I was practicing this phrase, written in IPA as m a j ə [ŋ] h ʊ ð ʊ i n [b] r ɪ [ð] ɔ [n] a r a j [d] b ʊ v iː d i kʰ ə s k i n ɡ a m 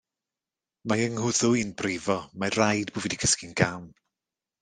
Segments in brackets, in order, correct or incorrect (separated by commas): correct, correct, incorrect, incorrect, correct